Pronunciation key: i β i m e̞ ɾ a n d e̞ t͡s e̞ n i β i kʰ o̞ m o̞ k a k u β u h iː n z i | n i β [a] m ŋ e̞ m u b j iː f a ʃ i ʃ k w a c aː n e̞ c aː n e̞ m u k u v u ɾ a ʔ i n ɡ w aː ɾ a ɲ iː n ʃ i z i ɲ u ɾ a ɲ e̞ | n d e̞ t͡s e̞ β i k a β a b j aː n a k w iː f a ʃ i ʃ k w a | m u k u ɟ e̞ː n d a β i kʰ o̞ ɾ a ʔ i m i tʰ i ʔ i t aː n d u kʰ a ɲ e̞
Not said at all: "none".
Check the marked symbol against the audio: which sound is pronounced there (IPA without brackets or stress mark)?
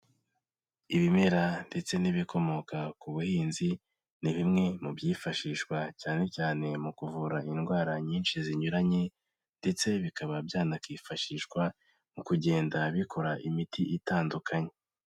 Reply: i